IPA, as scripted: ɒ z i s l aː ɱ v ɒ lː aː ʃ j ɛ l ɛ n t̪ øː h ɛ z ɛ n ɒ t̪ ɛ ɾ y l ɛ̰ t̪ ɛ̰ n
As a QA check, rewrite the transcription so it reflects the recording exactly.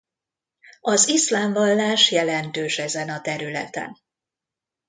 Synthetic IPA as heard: ɒ z i s l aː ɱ v ɒ lː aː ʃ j ɛ l ɛ n t̪ øː ʃ ɛ z ɛ n ɒ t̪ ɛ ɾ y l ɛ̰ t̪ ɛ̰ n